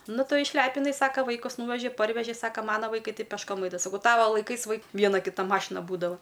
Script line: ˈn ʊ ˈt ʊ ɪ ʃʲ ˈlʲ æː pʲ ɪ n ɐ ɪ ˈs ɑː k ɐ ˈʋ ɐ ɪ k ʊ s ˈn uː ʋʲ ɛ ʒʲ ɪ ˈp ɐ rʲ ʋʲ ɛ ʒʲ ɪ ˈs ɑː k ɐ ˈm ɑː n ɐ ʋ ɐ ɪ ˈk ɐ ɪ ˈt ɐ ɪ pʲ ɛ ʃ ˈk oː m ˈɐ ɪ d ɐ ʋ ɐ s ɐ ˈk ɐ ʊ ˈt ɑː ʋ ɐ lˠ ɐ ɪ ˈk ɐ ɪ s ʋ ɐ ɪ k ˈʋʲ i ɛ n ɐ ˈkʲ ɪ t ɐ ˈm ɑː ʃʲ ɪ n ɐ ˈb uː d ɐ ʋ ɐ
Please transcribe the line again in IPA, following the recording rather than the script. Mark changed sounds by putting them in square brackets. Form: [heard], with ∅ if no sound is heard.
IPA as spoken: ˈn ʊ ˈt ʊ ɪ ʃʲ ˈlʲ æː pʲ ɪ n ɐ ɪ ˈs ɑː k ɐ ˈʋ ɐ ɪ k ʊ s ˈn uː ʋʲ ɛ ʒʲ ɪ ˈp ɐ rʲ ʋʲ ɛ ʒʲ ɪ ˈs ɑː k ɐ ˈm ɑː n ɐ ʋ ɐ ɪ ˈk ɐ ɪ ˈt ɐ ɪ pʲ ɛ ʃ ˈk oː m ˈɐ ɪ d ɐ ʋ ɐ s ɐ ˈk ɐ ʊ ˈt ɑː ʋ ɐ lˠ ɐ ɪ ˈk ɐ ɪ s ʋ ɐ ɪ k ˈʋʲ i ɛ n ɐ ˈkʲ ɪ t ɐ ˈm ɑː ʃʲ ɪ n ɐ ˈb uː d ɐ ʋ ɐ